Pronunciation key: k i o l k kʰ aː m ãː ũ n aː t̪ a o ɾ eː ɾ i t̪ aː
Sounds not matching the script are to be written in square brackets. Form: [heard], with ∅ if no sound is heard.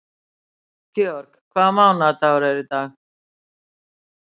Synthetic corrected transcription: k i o [ɾ] k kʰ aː m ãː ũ n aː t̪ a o ɾ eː ɾ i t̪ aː